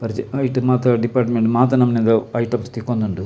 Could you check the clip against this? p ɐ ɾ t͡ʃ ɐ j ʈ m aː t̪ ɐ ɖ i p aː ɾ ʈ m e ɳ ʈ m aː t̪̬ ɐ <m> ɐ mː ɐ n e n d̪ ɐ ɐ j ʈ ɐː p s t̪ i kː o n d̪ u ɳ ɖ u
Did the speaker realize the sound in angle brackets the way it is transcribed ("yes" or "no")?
no